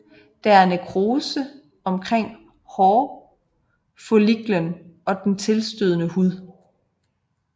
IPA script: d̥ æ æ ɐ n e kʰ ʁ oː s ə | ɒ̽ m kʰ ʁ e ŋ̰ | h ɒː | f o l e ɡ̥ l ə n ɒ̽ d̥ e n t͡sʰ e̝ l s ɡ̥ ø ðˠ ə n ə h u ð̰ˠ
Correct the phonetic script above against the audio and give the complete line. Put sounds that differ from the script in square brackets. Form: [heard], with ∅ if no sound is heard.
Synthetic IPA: d̥ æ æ ɐ n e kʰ ʁ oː s ə | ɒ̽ m kʰ ʁ e ŋ̰ | h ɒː | f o l [i] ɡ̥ l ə n ɒ̽ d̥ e n t͡sʰ e̝ l s [d̥] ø ðˠ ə n ə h u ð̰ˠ